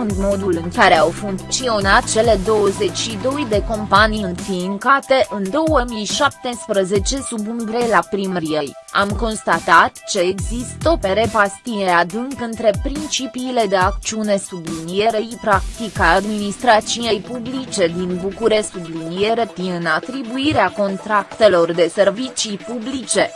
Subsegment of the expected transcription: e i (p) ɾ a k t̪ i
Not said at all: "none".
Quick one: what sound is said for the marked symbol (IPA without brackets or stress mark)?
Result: p